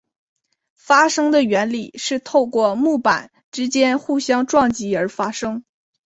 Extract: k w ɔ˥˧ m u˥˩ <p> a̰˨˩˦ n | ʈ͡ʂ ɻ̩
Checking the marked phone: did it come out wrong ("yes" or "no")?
no